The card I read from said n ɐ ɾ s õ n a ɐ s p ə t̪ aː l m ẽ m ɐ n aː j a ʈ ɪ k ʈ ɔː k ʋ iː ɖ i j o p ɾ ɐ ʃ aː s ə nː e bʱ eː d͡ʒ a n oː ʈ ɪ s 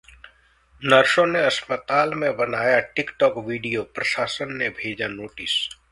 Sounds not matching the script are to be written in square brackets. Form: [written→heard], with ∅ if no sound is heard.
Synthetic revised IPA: n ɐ ɾ [s→ʃ] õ n [a→e] ɐ s p ə t̪ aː l m ẽ [m→b] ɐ n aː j a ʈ ɪ k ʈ ɔː k ʋ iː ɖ i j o p ɾ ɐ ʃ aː s ə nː e bʱ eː d͡ʒ a n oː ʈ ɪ s